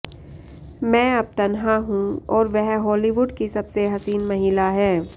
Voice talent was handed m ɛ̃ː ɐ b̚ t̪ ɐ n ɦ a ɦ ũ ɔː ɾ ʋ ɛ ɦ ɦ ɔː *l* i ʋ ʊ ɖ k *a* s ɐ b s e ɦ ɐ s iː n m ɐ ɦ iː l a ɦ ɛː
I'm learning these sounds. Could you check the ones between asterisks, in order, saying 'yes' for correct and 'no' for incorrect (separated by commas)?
yes, no